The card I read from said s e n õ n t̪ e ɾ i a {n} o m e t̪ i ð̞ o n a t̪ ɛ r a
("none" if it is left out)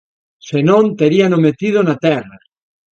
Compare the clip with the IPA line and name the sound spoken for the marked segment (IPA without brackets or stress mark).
n